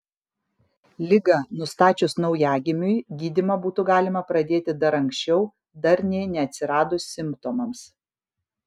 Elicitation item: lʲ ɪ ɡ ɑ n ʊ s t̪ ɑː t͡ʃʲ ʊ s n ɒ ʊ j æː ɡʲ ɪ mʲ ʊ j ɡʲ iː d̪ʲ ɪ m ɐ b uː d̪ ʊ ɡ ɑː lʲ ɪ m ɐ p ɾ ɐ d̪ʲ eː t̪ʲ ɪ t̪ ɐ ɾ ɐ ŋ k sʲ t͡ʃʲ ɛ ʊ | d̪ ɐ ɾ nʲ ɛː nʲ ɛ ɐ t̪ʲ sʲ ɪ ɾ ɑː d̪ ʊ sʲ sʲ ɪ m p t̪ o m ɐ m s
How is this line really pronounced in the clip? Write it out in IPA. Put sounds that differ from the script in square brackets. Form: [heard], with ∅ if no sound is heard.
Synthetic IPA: lʲ ɪ ɡ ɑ n ʊ s t̪ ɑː t͡ʃʲ ʊ s n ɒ ʊ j æː ɡʲ ɪ mʲ ʊ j ɡʲ iː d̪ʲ ɪ m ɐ b uː [t̪] ʊ ɡ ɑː lʲ ɪ m ɐ p ɾ ɐ d̪ʲ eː t̪ʲ ɪ [d̪] ɐ ɾ ɐ ŋ k sʲ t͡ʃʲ ɛ ʊ | d̪ ɐ ɾ nʲ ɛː nʲ ɛ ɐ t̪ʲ sʲ ɪ ɾ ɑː d̪ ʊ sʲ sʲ ɪ m p t̪ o m ɐ m s